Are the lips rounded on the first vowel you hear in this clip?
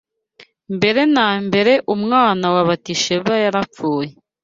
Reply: no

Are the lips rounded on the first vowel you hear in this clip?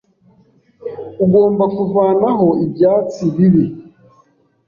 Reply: yes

